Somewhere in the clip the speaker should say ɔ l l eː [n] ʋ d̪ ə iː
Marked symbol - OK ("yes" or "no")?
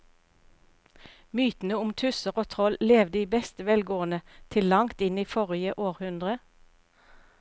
no